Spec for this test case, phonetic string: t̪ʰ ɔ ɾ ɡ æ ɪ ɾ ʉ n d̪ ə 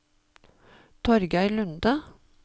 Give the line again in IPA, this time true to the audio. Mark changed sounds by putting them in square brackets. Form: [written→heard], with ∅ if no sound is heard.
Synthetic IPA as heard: t̪ʰ ɔ ɾ ɡ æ ɪ [ɾ→l] ʉ n d̪ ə